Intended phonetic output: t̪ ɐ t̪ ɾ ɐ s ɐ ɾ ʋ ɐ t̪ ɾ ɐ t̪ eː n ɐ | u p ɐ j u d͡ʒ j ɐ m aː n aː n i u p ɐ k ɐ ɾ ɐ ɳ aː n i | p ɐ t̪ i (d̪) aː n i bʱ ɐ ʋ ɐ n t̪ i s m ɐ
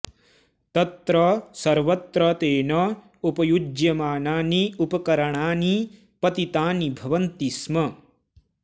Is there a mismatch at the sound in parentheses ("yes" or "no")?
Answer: yes